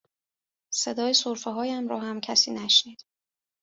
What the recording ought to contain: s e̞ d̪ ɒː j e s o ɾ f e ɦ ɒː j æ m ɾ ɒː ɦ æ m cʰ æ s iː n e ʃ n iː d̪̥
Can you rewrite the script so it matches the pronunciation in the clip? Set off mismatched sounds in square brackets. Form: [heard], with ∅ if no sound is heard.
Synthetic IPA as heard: s e̞ d̪ ɒː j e s o ɾ f e ɦ ɒː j æ m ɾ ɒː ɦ æ m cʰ æ s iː n [æ] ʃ n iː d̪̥